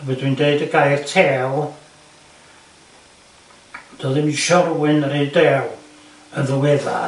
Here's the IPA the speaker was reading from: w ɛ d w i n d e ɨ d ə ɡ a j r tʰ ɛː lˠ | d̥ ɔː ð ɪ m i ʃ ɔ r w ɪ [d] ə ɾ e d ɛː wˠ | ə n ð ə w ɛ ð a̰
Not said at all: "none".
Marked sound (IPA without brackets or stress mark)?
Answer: n